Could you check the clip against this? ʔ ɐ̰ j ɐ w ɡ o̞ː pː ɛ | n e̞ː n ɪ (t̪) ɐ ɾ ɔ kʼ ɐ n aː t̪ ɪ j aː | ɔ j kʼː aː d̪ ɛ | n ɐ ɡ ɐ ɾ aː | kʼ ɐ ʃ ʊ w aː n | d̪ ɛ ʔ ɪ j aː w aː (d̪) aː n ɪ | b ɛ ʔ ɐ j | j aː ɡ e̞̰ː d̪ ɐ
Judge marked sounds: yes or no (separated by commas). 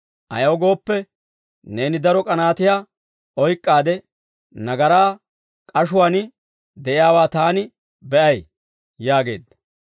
no, no